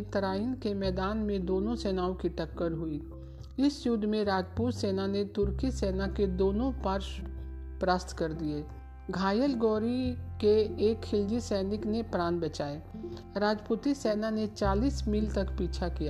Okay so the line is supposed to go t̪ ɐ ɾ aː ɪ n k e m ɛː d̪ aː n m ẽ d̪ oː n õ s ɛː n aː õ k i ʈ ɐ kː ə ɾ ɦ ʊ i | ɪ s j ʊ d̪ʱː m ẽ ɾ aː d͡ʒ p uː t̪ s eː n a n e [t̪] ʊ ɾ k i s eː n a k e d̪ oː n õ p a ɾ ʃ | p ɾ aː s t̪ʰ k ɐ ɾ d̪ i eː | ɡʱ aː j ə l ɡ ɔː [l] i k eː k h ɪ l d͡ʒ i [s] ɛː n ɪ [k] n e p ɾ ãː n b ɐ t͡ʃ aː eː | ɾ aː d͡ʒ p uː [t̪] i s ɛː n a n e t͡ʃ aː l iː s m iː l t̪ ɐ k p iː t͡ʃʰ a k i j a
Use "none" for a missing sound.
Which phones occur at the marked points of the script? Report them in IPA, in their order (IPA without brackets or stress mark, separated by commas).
t̪, ɾ, s, k, t̪